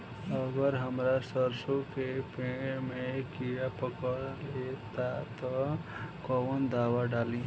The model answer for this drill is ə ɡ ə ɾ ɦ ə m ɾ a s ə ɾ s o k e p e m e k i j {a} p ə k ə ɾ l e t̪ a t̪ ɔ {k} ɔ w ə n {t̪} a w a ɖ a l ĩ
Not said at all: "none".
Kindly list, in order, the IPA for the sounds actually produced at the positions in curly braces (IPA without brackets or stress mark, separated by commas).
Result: a, k, d̪